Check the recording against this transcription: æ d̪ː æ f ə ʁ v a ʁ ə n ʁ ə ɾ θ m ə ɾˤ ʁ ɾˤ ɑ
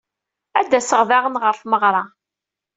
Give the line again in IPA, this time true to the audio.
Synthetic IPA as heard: æ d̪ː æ s ə ʁ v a ʁ ə n ʁ ə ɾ f m ə ʁ ɾˤ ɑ